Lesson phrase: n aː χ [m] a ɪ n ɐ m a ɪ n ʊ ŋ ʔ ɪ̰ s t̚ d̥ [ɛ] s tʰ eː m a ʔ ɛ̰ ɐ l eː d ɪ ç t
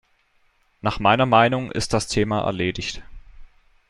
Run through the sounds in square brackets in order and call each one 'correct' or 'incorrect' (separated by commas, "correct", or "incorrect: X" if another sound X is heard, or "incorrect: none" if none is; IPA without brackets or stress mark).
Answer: correct, incorrect: a